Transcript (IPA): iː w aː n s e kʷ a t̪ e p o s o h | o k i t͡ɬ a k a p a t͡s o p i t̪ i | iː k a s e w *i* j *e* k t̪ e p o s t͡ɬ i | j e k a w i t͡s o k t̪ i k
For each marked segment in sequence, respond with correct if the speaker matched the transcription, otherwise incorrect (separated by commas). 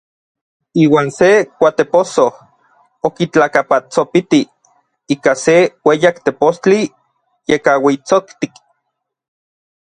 incorrect, incorrect